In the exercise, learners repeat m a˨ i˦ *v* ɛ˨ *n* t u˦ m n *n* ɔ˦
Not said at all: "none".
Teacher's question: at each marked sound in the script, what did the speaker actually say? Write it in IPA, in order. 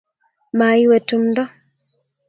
w, none, d

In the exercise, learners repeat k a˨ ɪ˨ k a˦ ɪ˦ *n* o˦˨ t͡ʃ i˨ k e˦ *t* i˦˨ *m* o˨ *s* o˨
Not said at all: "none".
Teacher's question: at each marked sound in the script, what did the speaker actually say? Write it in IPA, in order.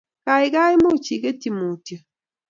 m, t, m, t

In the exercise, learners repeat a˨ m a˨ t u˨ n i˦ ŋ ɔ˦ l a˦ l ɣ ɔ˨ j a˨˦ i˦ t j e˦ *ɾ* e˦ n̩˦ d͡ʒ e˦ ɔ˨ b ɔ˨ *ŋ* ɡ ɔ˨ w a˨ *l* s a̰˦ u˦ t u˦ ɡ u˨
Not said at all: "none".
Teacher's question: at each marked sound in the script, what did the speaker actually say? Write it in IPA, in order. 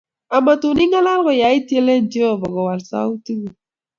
l, none, l

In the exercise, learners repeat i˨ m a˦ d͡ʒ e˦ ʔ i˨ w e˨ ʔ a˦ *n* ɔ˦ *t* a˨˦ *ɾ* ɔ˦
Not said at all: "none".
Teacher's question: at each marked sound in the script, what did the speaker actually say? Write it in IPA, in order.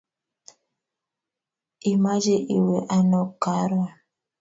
n, k, ɾ

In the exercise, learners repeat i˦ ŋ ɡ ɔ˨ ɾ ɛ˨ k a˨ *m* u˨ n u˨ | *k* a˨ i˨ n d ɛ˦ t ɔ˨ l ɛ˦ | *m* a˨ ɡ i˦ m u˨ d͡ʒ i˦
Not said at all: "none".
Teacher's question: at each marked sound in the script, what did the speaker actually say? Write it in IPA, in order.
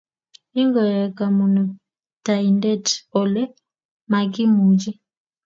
m, t, m

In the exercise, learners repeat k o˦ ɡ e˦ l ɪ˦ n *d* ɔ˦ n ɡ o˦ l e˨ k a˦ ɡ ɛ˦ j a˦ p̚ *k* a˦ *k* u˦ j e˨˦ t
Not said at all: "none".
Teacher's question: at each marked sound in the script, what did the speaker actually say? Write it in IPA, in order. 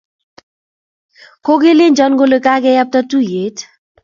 d͡ʒ, t, t

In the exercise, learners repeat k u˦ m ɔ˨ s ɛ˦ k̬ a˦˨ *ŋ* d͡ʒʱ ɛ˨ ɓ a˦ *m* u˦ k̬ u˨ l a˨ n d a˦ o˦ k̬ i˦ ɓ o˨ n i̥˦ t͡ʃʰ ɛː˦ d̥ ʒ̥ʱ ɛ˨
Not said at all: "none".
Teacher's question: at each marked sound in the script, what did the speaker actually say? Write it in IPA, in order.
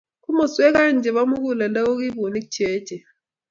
n, m

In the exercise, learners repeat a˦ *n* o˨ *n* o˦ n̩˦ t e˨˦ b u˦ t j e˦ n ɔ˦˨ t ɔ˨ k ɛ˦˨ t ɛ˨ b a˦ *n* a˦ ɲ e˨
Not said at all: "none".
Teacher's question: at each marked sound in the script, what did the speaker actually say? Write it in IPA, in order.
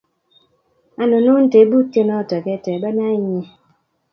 n, n, n

